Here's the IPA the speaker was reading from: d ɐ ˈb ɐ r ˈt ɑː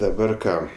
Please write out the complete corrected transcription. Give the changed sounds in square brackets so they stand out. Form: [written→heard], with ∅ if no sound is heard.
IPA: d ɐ ˈb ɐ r [ˈt→ˈk] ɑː